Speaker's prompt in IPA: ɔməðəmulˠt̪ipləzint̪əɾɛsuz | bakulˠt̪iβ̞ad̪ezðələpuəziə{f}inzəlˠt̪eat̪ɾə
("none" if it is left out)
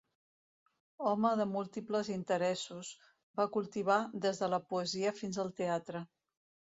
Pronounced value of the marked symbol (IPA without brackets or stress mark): f